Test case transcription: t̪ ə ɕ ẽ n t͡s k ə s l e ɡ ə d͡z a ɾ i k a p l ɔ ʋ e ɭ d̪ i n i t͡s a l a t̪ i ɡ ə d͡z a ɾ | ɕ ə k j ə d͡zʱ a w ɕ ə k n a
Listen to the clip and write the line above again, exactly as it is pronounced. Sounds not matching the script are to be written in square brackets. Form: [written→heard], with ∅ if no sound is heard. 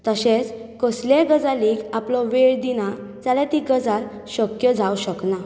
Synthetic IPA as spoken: t̪ ə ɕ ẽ [n→∅] t͡s k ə s l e ɡ ə d͡z a [ɾ→l] i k a p l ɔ ʋ e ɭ d̪ i n [i→a] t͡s a l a t̪ i ɡ ə d͡z a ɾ | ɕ ə k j ə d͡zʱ a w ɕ ə k n a